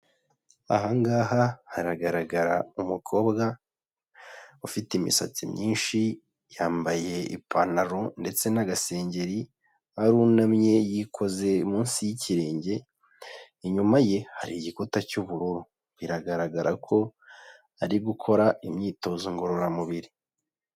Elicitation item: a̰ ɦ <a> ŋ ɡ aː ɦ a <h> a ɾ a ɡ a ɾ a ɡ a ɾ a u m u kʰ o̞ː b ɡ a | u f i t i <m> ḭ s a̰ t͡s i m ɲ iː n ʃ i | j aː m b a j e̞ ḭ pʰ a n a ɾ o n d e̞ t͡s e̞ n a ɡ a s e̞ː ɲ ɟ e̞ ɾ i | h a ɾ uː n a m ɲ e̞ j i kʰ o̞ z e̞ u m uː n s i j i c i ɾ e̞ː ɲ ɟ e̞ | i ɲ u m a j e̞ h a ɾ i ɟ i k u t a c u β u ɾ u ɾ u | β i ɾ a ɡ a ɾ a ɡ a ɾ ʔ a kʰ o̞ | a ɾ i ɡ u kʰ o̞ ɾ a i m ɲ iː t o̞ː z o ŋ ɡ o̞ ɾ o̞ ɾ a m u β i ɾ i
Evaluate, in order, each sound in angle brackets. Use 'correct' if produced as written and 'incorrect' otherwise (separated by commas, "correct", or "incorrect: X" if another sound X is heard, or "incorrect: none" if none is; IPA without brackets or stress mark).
correct, correct, correct